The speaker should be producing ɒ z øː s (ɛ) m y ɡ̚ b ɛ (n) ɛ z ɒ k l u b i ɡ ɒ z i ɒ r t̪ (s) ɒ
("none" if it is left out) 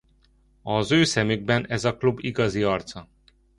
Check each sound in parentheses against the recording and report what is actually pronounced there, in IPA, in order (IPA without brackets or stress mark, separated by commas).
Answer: ɛ, n, s